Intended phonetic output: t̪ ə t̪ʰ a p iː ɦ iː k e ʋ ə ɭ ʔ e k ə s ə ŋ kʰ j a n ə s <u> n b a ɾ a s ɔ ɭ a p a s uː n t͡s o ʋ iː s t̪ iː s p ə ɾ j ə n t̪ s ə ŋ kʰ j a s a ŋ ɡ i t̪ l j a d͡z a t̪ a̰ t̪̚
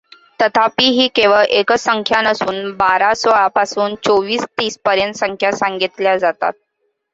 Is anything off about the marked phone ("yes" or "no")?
yes